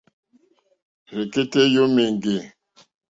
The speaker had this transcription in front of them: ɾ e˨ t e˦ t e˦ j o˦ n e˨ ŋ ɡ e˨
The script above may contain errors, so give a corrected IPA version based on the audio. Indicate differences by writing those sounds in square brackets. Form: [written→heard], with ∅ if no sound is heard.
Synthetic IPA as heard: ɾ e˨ [t→k] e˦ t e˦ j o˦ [n→m] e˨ ŋ ɡ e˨